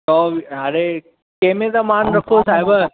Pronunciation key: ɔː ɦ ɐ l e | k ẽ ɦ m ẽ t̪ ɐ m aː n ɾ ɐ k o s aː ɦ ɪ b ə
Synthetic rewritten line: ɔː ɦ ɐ ɾ e | k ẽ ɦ m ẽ t̪ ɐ m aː n ɾ ɐ kʰ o s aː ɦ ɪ b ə